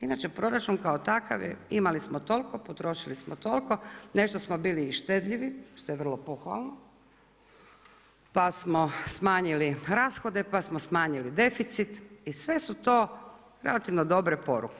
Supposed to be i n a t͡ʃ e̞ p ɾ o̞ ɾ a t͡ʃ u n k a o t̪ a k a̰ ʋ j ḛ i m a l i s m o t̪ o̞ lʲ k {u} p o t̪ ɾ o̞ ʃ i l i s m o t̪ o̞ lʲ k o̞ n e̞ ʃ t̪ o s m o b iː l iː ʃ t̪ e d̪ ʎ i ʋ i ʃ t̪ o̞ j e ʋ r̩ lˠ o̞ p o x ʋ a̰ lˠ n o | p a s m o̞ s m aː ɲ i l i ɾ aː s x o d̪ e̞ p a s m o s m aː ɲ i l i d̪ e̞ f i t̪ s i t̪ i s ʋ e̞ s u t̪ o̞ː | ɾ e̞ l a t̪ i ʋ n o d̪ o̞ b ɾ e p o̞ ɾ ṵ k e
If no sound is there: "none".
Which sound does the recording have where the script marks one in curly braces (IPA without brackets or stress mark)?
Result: o